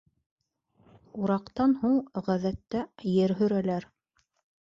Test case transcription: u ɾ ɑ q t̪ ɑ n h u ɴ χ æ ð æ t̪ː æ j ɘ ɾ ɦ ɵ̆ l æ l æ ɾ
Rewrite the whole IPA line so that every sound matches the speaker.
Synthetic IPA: u ɾ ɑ q t̪ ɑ n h u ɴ ʁ æ ð æ t̪ː æ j ɘ ɾ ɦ ɵ̆ ɾ æ l æ ɾ